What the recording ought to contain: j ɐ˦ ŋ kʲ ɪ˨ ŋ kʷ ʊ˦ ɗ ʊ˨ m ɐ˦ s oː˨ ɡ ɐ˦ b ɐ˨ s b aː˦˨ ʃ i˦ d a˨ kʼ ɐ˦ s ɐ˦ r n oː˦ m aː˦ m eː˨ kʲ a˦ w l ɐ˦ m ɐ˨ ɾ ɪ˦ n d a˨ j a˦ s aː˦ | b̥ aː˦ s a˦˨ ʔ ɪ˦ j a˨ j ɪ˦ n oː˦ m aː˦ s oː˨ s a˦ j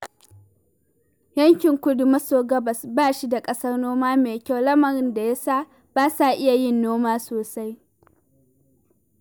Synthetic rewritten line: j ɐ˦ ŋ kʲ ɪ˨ ŋ kʷ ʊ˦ d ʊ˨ m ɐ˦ s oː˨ ɡ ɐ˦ b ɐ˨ s b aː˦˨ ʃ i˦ d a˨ kʼ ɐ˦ s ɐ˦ r n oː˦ m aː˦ m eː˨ kʲ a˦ w l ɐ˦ m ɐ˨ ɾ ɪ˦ n d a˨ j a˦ s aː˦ | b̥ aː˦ s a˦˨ ʔ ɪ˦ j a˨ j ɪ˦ nː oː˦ m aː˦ s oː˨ s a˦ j

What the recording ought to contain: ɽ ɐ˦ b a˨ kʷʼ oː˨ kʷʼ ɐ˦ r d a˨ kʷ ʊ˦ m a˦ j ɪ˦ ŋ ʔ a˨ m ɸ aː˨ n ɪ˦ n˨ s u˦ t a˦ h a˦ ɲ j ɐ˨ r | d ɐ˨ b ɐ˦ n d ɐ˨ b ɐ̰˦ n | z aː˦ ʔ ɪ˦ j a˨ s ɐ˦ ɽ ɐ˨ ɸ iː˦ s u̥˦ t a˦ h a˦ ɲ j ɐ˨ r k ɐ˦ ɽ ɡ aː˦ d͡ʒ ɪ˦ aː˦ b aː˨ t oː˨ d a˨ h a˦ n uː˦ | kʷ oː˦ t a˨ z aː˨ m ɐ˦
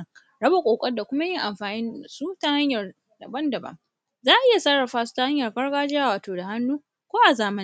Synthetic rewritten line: ɽ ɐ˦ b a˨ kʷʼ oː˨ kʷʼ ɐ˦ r d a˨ kʷ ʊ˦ m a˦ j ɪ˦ ŋ ʔ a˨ m ɸ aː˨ n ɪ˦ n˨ s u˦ t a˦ h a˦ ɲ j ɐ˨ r | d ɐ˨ b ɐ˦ n d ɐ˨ b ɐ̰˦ ŋ | z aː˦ ʔ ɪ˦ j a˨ s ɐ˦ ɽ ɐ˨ ɸ aː˦ s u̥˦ t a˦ h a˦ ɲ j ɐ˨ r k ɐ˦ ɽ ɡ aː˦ d͡ʒ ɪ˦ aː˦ w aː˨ t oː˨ d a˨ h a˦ nː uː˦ | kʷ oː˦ ʔ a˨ z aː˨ m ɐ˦

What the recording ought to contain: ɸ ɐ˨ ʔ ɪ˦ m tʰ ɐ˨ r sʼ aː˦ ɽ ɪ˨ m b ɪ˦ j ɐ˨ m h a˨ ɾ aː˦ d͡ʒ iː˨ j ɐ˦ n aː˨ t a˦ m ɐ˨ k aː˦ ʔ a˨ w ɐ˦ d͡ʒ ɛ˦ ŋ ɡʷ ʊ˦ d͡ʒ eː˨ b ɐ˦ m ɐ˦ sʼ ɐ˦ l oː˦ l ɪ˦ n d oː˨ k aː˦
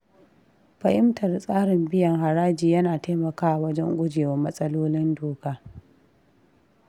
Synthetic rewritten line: ɸ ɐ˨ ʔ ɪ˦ m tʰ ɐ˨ r sʼ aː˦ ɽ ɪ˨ m b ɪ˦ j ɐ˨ ŋ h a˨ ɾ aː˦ d͡ʒ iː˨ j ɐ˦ n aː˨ t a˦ m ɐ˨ k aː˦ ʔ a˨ w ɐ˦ d͡ʒ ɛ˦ ŋ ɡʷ ʊ˦ d͡ʒ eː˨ w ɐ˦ m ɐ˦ sʼ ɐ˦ l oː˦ l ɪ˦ n d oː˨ k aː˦

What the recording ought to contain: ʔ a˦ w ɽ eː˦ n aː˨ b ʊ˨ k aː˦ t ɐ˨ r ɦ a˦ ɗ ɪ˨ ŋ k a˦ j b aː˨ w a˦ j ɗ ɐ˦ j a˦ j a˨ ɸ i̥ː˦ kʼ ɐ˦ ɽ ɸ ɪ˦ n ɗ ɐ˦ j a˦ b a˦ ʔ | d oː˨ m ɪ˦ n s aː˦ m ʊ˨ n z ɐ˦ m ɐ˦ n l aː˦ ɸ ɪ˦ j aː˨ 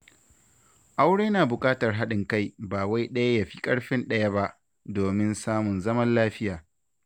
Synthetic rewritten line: ʔ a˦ w ɽ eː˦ n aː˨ b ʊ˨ kʼ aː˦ t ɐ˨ r ɦ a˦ ɗ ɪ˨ ŋ k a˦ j b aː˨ w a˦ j ɗ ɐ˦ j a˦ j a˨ ɸ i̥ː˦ kʼ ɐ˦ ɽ ɸ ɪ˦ n ɗ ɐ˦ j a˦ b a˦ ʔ | d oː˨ m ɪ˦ n s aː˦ m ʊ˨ n z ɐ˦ m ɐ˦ n l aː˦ ɸ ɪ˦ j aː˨

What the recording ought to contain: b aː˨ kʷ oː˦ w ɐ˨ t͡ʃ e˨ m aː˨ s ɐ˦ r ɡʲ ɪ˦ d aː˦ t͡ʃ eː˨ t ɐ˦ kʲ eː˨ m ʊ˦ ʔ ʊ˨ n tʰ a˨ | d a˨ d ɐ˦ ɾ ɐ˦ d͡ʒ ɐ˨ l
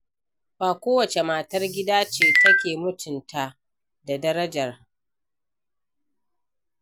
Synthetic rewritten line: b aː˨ kʷ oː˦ w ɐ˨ t͡ʃ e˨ m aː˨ t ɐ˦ r ɡʲ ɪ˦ d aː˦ t͡ʃ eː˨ t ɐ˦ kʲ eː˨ m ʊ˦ t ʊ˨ n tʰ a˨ | d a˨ d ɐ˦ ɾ ɐ˦ d͡ʒ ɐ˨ r

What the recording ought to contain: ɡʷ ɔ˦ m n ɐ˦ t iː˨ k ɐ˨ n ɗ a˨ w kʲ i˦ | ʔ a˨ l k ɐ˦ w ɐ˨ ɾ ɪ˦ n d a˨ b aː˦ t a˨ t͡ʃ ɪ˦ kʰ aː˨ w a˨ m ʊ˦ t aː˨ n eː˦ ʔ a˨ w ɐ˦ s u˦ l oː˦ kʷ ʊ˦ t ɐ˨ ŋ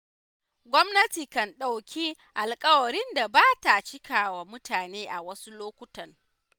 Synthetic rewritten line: ɡʷ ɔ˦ m n ɐ˦ t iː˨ k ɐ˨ n ɗ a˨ w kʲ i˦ | ʔ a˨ l kʼ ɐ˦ w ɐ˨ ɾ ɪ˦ n d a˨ b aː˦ t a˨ t͡ʃ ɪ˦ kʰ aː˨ w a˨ m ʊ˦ t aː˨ n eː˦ ʔ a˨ w ɐ˦ s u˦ l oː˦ kʷ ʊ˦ t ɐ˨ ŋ

